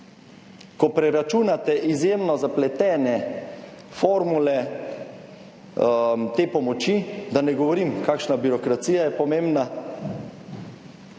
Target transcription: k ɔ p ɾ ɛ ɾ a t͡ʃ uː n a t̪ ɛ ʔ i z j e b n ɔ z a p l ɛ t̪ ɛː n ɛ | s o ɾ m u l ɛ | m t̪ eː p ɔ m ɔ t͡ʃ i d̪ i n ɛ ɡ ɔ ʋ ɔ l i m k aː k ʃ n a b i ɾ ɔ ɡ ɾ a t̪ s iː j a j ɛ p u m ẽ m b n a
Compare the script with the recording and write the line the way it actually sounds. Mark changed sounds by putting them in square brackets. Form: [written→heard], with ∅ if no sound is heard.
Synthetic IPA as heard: k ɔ p ɾ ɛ ɾ a t͡ʃ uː n a t̪ ɛ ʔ i z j e [b→m] n ɔ z a p l ɛ t̪ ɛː n ɛ | [s→f] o ɾ m u l ɛ | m t̪ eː p ɔ m ɔ t͡ʃ i d̪ [i→a] n ɛ ɡ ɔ ʋ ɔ [l→ɾ] i m k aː k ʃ n a b i ɾ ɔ [ɡ→k] ɾ a t̪ s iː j a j ɛ p [u→ɔ] m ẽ m b n a